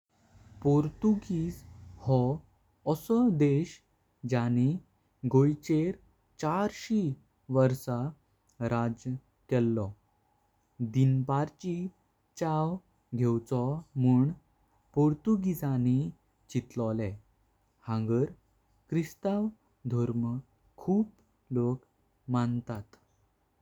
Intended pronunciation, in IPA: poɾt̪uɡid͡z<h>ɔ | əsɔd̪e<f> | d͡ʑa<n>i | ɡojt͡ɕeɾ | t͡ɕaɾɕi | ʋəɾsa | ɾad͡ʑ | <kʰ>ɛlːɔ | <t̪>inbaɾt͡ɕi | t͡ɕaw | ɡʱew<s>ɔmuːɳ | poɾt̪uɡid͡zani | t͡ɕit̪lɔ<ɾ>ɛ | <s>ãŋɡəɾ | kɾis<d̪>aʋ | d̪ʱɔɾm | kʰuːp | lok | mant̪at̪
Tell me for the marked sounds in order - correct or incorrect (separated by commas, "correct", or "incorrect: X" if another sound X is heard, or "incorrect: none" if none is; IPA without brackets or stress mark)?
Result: correct, incorrect: ɕ, correct, incorrect: k, incorrect: d̪, incorrect: t͡s, incorrect: l, incorrect: h, incorrect: t̪